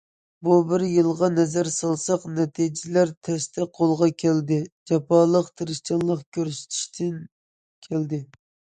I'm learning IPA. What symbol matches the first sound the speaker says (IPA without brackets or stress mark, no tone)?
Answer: b